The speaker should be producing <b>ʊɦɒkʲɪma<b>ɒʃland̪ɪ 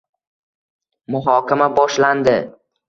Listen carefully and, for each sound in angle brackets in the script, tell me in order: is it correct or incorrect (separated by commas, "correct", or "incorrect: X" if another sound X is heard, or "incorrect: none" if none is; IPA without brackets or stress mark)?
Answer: incorrect: m, correct